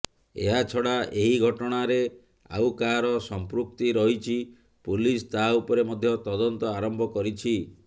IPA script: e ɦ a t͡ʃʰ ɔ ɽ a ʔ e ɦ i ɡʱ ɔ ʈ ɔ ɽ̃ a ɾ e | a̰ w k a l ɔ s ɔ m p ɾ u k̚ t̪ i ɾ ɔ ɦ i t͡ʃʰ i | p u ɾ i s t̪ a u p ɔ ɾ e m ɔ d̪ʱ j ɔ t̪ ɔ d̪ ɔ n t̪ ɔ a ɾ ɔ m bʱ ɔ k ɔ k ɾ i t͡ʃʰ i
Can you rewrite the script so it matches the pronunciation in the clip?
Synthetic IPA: e ɦ a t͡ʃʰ ɔ ɽ a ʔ e ɦ i ɡʱ ɔ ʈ ɔ ɽ̃ a ɾ e | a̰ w k a ɾ ɔ s ɔ m p ɾ u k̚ t̪ i ɾ ɔ ɦ i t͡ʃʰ i | p u l i s t̪ a u p ɔ ɾ e m ɔ d̪ʱ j ɔ t̪ ɔ d̪ ɔ n t̪ ɔ a ɾ ɔ m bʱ ɔ k ɔ ɾ i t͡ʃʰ i